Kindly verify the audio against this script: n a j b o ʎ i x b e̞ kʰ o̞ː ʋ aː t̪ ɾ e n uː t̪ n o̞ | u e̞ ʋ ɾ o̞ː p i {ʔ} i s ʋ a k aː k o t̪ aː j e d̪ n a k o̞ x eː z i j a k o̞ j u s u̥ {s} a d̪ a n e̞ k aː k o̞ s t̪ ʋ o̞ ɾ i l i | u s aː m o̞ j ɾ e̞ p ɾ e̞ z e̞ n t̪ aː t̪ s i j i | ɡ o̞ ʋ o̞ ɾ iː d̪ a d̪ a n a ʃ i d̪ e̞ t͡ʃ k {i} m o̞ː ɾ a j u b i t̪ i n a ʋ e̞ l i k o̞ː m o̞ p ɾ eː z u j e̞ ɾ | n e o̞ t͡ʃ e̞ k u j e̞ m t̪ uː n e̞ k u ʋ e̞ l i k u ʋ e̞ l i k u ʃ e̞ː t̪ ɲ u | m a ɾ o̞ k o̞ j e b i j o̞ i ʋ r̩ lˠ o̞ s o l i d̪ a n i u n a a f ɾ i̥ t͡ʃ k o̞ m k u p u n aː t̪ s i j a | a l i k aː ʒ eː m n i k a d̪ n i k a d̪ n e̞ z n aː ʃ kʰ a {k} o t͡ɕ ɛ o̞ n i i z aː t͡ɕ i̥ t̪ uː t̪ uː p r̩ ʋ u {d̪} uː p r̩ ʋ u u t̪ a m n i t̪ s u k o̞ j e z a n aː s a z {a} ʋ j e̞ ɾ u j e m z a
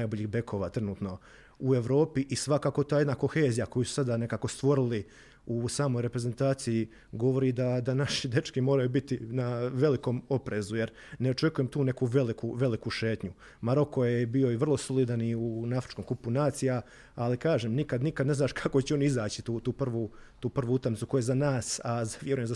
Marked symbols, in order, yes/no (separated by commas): yes, yes, yes, yes, no, yes